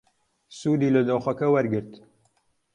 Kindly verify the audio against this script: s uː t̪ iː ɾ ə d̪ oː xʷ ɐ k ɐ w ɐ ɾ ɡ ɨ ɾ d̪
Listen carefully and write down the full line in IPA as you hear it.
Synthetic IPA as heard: s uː d̪ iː l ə d̪ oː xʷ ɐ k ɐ w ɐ ɾ ɡ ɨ ɾ t̪